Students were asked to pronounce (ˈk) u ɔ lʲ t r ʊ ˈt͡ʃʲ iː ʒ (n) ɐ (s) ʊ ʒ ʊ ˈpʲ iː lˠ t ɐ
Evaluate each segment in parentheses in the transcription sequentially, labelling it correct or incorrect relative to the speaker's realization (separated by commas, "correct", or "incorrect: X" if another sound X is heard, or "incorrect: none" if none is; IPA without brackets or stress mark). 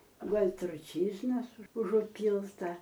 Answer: incorrect: ɡ, correct, correct